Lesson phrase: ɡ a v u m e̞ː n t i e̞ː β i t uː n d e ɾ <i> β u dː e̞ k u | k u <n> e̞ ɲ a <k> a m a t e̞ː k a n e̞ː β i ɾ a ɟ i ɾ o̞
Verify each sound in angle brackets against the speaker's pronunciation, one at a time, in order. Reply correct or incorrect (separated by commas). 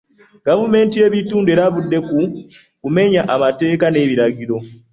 incorrect, incorrect, incorrect